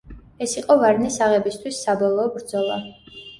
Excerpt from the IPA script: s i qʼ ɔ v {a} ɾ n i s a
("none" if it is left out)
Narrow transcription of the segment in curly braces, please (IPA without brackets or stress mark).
a